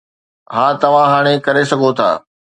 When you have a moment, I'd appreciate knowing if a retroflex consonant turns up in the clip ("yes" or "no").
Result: yes